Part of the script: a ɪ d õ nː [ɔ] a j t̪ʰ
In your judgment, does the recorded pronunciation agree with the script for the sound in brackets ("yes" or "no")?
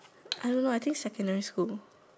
no